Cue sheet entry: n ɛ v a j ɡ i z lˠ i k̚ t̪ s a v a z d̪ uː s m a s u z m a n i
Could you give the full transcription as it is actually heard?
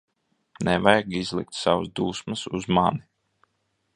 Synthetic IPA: n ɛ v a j ɡ i z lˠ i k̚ t̪ s a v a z d̪ uː s m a s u z m a n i